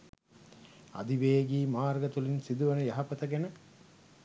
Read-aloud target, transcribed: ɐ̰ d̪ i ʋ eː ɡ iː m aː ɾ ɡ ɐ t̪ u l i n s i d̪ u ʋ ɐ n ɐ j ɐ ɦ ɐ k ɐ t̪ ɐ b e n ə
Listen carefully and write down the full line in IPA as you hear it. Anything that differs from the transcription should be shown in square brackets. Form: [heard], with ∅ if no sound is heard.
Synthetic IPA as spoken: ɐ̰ d̪ i ʋ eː ɡ iː m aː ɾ ɡ ɐ t̪ u l i n s i d̪ u ʋ ɐ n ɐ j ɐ ɦ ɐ [p] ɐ t̪ ɐ [ɡ] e n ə